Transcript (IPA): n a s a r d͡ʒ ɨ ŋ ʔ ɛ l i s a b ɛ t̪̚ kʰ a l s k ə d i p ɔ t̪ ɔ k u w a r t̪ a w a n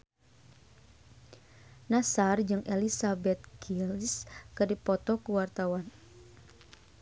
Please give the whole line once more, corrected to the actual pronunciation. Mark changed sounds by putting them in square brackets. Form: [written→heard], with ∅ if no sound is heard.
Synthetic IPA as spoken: n a s a r d͡ʒ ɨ ŋ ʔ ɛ l i s a b ɛ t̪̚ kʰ [a→i] l s k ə d i p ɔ t̪ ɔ k u w a r t̪ a w a n